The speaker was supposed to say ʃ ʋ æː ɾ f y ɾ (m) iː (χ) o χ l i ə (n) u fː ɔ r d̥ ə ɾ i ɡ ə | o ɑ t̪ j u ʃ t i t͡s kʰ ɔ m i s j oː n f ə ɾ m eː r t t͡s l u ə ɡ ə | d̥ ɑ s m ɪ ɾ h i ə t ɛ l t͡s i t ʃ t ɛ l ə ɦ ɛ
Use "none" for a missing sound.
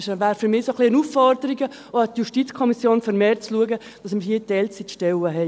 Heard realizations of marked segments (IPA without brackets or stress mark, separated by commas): m, s, n